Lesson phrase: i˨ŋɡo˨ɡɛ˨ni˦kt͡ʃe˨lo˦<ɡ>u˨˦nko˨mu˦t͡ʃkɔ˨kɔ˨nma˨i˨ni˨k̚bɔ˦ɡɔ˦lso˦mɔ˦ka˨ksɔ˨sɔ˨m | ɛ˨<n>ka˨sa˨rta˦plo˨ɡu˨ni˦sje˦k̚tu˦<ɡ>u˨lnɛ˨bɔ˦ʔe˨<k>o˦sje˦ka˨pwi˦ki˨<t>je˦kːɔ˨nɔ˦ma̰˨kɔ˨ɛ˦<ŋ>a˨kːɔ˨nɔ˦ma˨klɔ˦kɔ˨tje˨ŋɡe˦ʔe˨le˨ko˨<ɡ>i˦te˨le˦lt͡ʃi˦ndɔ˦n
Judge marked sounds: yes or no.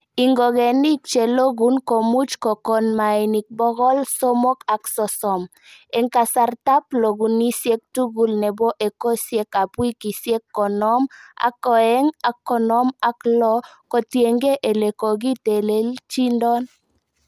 yes, no, yes, yes, no, yes, yes

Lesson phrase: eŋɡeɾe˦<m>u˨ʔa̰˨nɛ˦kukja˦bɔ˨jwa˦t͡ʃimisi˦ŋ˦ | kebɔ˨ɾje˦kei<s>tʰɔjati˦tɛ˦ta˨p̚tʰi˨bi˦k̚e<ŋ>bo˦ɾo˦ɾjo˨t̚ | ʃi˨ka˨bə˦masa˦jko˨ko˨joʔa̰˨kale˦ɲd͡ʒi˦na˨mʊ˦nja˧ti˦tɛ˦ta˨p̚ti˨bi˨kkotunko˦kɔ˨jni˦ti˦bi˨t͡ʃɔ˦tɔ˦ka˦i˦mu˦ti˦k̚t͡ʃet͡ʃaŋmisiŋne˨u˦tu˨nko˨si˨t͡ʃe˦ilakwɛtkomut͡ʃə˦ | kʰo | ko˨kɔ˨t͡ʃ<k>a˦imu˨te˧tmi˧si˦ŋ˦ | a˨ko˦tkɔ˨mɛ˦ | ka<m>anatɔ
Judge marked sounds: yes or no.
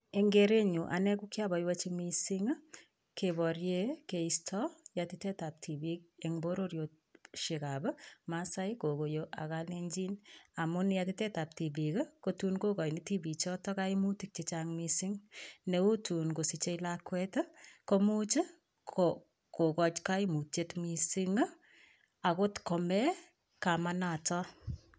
no, yes, yes, yes, yes

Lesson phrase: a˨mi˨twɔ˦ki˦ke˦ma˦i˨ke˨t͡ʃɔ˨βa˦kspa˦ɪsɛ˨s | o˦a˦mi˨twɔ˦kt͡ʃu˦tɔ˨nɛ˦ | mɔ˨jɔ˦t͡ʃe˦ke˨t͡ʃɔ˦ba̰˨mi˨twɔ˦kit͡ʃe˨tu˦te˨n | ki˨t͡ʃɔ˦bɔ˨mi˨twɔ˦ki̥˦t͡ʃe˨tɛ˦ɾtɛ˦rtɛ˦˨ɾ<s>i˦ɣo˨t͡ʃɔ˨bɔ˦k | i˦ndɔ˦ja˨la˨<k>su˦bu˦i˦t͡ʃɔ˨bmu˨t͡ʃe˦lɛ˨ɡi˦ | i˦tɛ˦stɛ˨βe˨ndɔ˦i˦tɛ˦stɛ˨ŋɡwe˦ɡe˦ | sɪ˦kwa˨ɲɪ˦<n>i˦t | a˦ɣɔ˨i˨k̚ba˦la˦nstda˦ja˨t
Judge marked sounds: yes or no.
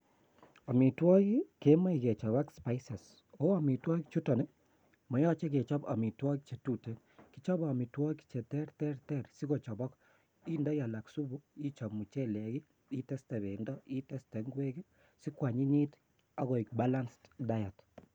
yes, yes, no

